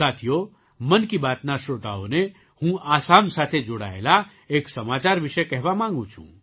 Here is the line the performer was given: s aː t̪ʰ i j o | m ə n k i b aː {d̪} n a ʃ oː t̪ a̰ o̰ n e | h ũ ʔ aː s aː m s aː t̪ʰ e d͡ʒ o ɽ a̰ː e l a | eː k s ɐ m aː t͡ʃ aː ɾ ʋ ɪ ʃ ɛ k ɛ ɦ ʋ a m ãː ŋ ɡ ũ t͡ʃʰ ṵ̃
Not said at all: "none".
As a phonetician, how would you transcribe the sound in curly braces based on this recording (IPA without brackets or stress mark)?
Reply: t̪